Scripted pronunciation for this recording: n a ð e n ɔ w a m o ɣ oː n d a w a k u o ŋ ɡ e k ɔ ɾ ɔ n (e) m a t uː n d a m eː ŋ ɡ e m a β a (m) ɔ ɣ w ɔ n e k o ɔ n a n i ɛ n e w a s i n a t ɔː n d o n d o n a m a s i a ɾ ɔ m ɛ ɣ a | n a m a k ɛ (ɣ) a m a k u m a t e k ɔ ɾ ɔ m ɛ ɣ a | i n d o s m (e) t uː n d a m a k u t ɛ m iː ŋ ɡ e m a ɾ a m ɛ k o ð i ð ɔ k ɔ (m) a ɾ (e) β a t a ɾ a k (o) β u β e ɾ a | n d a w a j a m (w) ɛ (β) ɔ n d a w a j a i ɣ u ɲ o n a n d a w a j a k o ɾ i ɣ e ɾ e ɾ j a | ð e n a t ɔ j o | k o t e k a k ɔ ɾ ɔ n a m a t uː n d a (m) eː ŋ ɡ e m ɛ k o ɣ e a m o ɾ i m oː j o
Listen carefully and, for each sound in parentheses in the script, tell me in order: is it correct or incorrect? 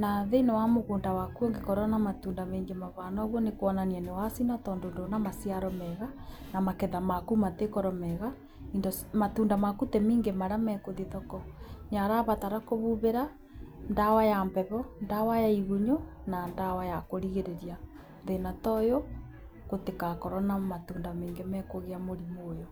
incorrect, incorrect, incorrect, incorrect, incorrect, incorrect, correct, incorrect, correct, correct

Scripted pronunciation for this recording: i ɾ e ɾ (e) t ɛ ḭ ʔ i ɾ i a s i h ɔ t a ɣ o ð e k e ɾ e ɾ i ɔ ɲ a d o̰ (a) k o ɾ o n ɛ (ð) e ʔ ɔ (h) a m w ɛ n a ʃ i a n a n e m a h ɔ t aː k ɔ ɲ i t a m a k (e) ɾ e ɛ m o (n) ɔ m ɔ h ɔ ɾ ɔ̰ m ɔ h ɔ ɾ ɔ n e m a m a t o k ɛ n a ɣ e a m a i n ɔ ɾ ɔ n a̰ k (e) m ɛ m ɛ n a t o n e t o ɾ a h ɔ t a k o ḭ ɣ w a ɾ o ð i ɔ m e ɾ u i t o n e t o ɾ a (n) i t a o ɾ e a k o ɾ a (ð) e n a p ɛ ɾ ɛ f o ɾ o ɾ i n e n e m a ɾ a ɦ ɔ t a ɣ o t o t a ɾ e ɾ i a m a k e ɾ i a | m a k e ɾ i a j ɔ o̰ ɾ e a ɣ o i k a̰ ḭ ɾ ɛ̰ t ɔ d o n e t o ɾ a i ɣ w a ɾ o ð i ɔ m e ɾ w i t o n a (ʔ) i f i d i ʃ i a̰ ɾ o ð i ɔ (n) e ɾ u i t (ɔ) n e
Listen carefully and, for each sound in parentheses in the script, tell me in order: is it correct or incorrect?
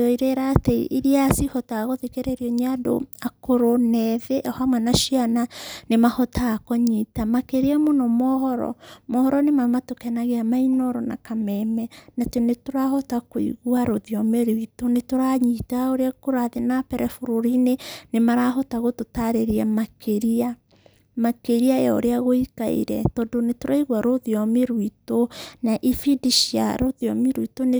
incorrect, correct, correct, correct, correct, correct, incorrect, incorrect, correct, correct, incorrect, incorrect

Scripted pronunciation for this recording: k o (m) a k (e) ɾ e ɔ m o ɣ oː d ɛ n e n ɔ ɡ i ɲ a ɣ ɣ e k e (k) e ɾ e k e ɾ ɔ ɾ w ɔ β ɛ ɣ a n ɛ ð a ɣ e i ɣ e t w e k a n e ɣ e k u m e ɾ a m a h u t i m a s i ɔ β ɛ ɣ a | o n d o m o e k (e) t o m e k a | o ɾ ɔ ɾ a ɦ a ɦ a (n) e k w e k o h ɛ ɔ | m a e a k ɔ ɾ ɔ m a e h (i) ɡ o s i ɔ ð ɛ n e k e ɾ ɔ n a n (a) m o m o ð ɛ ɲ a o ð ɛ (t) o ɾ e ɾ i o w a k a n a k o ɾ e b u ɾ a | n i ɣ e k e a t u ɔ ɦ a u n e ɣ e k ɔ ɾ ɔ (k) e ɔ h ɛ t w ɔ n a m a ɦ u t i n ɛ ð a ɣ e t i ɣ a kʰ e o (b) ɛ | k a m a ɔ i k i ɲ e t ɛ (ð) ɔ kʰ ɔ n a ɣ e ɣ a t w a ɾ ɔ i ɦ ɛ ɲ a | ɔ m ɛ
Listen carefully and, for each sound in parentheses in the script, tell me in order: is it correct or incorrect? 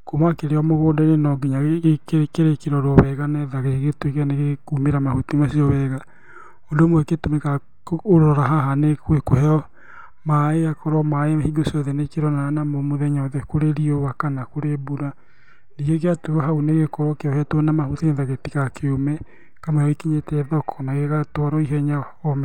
correct, correct, correct, correct, correct, correct, correct, incorrect, correct, incorrect, correct

